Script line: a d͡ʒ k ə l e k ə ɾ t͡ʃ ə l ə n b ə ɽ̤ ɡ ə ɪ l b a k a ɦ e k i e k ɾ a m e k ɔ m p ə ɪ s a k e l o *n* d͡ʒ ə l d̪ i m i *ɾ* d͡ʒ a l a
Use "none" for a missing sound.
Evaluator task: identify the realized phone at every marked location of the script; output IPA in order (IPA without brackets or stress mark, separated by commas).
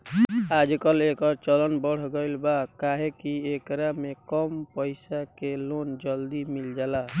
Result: n, l